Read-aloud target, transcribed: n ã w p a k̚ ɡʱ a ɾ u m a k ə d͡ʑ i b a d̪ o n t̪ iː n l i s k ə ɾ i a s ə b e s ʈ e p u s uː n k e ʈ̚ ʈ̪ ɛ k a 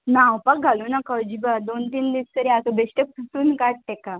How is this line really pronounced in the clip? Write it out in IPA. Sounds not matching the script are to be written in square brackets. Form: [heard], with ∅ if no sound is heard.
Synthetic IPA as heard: n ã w p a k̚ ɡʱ a [l] u [n] a k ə d͡ʑ i b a d̪ o n t̪ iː n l i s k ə ɾ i a s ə b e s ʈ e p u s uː n k [a] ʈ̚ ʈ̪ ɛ k a